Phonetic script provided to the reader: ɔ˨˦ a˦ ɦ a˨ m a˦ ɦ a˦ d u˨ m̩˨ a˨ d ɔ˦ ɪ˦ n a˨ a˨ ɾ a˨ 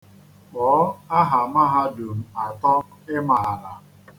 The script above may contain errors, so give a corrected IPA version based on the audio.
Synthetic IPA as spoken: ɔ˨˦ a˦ ɦ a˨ m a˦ ɦ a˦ d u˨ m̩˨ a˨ t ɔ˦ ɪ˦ m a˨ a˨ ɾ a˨